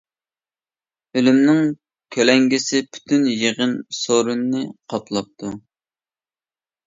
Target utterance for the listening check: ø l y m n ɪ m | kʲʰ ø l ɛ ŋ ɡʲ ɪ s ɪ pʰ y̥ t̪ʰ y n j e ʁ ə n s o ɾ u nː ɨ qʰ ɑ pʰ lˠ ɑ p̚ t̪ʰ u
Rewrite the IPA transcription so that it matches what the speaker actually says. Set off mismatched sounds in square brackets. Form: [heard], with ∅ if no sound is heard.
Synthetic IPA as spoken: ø l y m n ɪ [ŋ] | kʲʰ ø l ɛ ŋ ɡʲ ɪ s ɪ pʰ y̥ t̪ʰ y n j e ʁ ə n s o ɾ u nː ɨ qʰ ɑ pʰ lˠ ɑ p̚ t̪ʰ u